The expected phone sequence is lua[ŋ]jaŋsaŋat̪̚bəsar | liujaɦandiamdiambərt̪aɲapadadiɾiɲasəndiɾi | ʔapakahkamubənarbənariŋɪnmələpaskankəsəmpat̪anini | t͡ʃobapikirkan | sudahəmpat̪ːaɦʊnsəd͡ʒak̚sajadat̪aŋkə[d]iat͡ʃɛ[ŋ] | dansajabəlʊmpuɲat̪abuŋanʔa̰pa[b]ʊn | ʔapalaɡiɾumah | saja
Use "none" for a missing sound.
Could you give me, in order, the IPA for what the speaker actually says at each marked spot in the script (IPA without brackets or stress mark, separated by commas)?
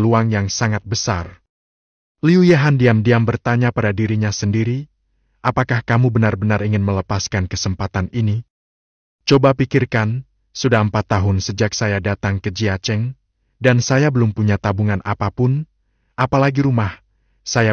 ŋ, d͡ʒ, ŋ, p